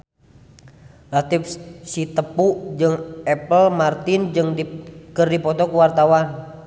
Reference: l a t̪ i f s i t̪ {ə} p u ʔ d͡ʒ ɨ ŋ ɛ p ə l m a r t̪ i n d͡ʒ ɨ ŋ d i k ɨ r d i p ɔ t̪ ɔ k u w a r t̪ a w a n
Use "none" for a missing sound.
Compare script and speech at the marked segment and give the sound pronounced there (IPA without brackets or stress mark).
ə